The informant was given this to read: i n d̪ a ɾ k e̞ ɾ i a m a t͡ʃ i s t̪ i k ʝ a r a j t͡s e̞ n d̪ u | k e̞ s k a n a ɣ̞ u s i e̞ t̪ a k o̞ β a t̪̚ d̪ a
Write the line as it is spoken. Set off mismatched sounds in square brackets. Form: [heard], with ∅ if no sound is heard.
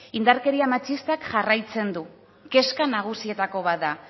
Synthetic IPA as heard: i n d̪ a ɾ k e̞ ɾ i a m a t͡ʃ i s t̪ [a] k ʝ a r a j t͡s e̞ n d̪ u | k e̞ s k a n a ɣ̞ u s i e̞ t̪ a k o̞ β a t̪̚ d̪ a